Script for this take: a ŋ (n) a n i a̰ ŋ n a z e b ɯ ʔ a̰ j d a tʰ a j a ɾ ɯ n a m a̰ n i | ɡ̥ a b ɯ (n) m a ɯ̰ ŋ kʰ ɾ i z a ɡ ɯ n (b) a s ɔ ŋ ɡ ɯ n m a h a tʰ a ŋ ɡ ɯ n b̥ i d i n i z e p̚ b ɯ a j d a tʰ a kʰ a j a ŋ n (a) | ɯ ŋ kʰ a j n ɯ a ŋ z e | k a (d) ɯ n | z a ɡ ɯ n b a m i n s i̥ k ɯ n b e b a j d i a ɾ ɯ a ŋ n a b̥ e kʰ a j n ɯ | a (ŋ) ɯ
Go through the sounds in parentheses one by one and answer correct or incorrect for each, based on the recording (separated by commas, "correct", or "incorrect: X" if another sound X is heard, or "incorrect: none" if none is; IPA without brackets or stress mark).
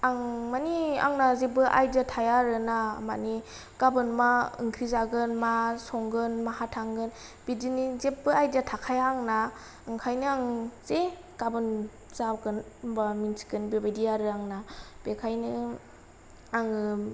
incorrect: m, correct, incorrect: m, correct, incorrect: b, correct